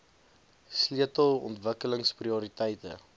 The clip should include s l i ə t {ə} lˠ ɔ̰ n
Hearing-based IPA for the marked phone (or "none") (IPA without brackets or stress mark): ə